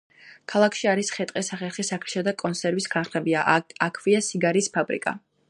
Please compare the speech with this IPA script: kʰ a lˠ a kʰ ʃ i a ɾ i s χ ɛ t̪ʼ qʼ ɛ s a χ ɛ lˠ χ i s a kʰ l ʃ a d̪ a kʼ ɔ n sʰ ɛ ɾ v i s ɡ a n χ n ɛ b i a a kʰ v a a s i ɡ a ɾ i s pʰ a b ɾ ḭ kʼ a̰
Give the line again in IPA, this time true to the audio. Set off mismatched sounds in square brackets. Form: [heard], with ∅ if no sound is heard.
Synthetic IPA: kʰ a lˠ a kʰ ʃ i a ɾ i s χ ɛ t̪ʼ qʼ ɛ s a χ ɛ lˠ χ i s a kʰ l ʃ a d̪ a kʼ ɔ n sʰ ɛ ɾ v i s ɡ a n χ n ɛ b i a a kʰ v [i] a s i ɡ a ɾ i s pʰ a b ɾ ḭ kʼ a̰